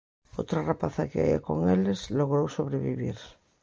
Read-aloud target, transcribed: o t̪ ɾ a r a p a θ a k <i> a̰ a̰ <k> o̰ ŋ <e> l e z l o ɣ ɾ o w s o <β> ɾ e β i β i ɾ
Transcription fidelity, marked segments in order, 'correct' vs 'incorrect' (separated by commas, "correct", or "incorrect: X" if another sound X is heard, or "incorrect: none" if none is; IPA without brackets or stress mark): incorrect: e, correct, correct, correct